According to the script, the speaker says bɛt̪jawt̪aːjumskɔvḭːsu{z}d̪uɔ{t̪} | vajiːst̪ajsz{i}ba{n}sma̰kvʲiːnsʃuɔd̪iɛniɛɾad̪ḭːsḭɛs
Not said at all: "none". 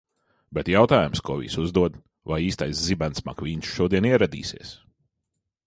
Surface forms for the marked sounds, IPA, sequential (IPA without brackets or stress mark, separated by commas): z, d̪, i, n